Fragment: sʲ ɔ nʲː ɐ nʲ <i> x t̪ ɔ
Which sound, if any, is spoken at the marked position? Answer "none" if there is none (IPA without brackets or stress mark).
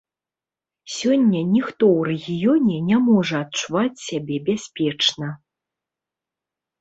i